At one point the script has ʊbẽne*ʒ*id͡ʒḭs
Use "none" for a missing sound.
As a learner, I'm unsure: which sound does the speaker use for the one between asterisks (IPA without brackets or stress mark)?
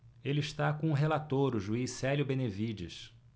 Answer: v